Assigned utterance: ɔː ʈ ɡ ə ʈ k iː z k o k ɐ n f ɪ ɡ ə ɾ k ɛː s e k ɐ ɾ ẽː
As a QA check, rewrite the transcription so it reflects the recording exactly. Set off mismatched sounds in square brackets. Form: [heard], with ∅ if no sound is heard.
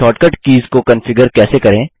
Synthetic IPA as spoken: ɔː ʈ [k] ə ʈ k iː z k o k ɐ n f ɪ ɡ ə ɾ k ɛː s e k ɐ ɾ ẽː